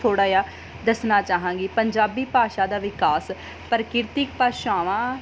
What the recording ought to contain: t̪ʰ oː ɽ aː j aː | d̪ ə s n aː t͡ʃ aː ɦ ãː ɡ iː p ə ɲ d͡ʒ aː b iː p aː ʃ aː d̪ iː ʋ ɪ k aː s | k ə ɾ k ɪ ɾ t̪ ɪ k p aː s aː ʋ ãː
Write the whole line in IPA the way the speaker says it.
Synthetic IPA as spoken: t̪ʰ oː ɽ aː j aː | d̪ ə s n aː t͡ʃ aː ɦ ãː ɡ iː p ə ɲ d͡ʒ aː b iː p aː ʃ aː d̪ aː ʋ ɪ k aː s | p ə ɾ k ɪ ɾ t̪ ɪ k p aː ʃ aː ʋ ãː